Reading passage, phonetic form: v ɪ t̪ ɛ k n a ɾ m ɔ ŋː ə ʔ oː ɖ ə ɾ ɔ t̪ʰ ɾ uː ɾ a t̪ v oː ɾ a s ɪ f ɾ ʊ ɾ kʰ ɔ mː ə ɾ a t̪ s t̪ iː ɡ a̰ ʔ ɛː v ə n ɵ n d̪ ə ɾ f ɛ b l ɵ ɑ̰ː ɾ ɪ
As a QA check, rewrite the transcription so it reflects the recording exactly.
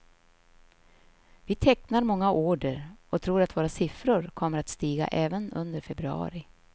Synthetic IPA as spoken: v ɪ t̪ʰ ɛ k n a ɾ m ɔ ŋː a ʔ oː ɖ ə ɾ ɔ t̪ʰ ɾ uː ɾ a t̪ v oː ɾ a s ɪ f ɾ ʊ ɾ kʰ ɔ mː ə ɾ a t̪ s t̪ iː ɡ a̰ ʔ ɛː v ə n ɵ n d̪ ə ɾ f ɛ b ɾ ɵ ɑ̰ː ɾ ɪ

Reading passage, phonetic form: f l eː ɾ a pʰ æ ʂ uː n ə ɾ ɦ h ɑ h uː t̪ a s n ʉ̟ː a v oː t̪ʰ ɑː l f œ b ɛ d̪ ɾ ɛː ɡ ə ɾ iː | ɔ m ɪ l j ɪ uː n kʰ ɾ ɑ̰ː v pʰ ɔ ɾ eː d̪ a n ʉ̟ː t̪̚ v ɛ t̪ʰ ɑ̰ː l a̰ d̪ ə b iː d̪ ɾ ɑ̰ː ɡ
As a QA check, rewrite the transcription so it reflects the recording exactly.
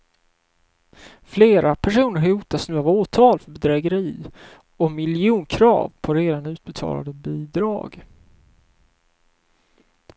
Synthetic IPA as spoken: f l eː ɾ a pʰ æ ʂ uː n ə ɾ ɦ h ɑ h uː t̪ a s n ʉ̟ː a v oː t̪ʰ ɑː l f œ b ɛ d̪ ɾ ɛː ɡ ə ɾ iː | ɔ m ɪ l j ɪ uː n kʰ ɾ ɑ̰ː v pʰ ɔ ɾ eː d̪ a n ʉ̟ː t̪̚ b ɛ t̪ʰ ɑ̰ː l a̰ d̪ ə b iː d̪ ɾ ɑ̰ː ɡ

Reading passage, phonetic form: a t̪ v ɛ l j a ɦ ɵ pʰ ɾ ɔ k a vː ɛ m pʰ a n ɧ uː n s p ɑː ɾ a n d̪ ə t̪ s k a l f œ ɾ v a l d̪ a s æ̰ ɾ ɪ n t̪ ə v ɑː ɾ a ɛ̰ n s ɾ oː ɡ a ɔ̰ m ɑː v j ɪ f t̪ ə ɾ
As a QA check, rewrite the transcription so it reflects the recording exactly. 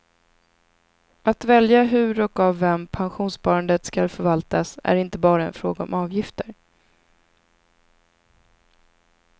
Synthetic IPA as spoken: a t̪ v ɛ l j a ɦ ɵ ɾ ɔ k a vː ɛ m pʰ a n ɧ uː n s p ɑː ɾ a n d̪ ə t̪ s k a l f œ ɾ v a l t̪ a s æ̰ ɾ ɪ n t̪ ə b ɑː ɾ a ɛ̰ n f ɾ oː ɡ a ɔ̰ m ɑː v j ɪ f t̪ ə ɾ

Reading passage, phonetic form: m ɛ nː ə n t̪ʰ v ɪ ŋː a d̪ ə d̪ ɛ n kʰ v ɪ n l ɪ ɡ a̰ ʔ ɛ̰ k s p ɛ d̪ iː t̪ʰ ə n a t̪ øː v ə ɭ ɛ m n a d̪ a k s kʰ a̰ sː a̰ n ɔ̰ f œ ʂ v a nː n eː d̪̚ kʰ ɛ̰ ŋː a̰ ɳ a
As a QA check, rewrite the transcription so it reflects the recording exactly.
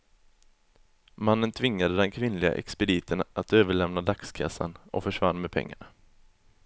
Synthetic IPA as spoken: m a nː ə n t̪ʰ v ɪ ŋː a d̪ ə d̪ ɛ n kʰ v ɪ n l ɪ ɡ a̰ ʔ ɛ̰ k s p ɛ d̪ iː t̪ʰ ə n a t̪ øː v ə ɭ ɛ m n a d̪ a k s kʰ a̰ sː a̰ n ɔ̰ f œ ʂ v a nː m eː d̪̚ pʰ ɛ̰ ŋː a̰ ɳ a

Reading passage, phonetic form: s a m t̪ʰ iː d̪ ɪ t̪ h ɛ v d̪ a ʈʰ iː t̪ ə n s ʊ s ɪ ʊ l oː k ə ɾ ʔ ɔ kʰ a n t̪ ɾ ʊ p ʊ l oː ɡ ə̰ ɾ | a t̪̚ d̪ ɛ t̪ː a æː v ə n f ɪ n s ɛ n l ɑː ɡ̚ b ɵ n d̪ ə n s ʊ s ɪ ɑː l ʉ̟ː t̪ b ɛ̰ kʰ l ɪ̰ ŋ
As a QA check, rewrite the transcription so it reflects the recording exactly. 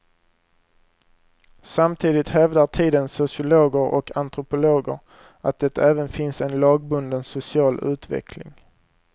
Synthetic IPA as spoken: s a m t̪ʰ iː d̪ ɪ t̪ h ɛ v d̪ a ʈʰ iː d̪ ə n s ʊ s ɪ ʊ l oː ɡ ə ɾ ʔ ɔ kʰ a n t̪ ɾ ʊ p ʊ l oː ɡ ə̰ ɾ | a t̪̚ d̪ ɛ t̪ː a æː v ə n f ɪ n s ɛ n l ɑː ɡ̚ b ɵ n d̪ ə n s ʊ s ɪ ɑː l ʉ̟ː t̪ v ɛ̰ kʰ l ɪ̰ ŋ

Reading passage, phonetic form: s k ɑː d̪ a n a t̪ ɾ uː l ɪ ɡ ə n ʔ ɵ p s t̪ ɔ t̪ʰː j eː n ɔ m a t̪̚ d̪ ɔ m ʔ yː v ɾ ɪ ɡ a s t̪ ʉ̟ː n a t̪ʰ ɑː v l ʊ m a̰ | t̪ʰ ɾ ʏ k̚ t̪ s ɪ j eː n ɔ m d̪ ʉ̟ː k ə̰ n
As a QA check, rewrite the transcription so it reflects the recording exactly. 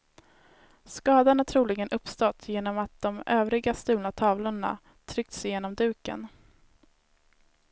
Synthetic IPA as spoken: s k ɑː d̪ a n a t̪ʰ ɾ uː l ɪ ɡ ə n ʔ ɵ p s t̪ ɔ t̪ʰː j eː n ɔ m a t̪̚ d̪ ɔ m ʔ øː v ɾ ɪ ɡ a s t̪ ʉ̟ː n a t̪ʰ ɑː v l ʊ ɳ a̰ | t̪ʰ ɾ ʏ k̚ t̪ s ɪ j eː n ɔ m d̪ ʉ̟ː k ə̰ n

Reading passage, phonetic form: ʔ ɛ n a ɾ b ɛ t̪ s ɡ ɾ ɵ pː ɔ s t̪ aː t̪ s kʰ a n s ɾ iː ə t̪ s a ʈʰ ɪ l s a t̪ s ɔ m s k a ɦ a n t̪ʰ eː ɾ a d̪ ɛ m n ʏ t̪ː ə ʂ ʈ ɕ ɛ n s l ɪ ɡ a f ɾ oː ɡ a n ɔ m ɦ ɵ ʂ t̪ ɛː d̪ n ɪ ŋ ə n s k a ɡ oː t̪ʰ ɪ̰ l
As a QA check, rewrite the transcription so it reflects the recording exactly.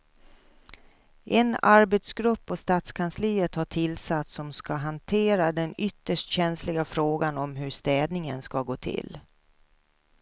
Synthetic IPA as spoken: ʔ ɛ n a ɾ b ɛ t̪ s ɡ ɾ ɵ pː ɔ s t̪ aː t̪ s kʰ a n s l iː ə t̪ h a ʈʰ ɪ l s a t̪ s ɔ m s k a ɦ a n t̪ʰ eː ɾ a d̪ ɛ n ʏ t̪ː ə ʂ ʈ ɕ ɛ n s l ɪ ɡ a f ɾ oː ɡ a n ɔ m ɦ ɵ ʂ t̪ ɛː d̪ n ɪ ŋ ə n s k a ɡ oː t̪ʰ ɪ̰ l

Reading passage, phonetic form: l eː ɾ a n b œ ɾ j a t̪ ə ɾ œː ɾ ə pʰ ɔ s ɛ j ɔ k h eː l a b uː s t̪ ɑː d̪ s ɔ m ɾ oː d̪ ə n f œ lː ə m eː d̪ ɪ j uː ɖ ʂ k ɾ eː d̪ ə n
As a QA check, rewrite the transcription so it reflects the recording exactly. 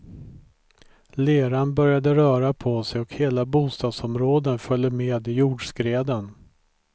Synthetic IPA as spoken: l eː ɾ a n b œ ɾ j a d̪ ə ɾ œː ɾ a pʰ ɔ s ɛ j ɔ k h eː l a b uː s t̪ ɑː d̪ s ɔ m ɾ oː d̪ ə n f œ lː ə m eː d̪ ɪ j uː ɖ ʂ k ɾ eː d̪ ə n

